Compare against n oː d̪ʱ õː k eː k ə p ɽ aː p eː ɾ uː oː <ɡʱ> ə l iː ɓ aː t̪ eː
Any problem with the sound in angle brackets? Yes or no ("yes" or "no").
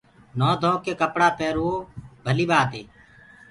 yes